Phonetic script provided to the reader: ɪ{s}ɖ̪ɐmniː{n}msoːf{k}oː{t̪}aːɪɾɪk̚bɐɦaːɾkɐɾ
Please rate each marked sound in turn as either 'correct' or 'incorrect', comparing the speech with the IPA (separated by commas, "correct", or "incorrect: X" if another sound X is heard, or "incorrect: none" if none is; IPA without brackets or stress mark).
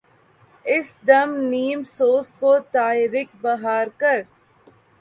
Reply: correct, incorrect: none, correct, correct